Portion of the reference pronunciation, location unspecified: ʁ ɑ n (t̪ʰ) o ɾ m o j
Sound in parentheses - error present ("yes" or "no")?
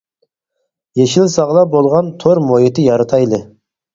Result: no